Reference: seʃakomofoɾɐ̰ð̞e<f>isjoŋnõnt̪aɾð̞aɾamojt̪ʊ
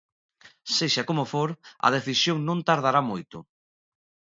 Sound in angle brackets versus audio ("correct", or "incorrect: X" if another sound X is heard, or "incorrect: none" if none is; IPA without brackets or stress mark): incorrect: θ